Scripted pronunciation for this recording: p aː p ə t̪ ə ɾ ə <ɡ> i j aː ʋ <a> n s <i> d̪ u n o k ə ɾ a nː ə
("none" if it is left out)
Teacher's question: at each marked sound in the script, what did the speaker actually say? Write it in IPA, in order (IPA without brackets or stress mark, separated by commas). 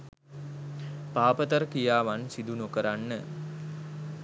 k, a, i